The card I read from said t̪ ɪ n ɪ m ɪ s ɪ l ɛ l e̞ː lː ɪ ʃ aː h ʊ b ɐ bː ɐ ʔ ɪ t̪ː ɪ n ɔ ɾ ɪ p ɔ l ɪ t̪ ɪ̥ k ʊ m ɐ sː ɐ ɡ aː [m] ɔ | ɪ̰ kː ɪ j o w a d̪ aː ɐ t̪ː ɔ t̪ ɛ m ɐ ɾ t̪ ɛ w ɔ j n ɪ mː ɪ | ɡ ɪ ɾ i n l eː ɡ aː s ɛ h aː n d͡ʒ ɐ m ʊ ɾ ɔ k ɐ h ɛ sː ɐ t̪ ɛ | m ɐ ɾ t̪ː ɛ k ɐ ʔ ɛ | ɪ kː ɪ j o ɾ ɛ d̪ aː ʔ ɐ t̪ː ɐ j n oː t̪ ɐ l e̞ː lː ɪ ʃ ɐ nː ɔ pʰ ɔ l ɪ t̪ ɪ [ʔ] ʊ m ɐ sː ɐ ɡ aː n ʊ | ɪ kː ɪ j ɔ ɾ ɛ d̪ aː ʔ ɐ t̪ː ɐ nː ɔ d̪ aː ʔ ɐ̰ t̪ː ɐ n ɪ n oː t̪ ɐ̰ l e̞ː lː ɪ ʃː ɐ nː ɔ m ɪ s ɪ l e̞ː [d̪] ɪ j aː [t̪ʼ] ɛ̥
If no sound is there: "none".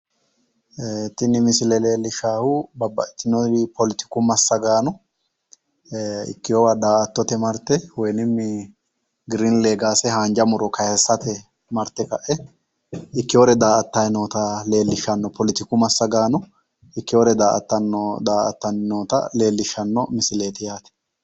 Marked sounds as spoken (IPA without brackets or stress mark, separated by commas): n, k, t̪, t̪